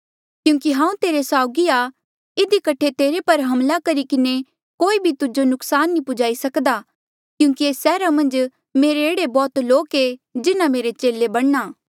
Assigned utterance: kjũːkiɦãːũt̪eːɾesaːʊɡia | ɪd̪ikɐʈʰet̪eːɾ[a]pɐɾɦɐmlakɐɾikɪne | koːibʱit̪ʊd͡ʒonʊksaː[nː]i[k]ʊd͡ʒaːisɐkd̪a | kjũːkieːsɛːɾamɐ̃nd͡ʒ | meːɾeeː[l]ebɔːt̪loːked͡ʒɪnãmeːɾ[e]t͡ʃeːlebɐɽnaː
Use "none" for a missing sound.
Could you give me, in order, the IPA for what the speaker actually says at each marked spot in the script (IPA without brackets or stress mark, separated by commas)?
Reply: e, nː, p, ɽ, e